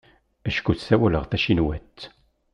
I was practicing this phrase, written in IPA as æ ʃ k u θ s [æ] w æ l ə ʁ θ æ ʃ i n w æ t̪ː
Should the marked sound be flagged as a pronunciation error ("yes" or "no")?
no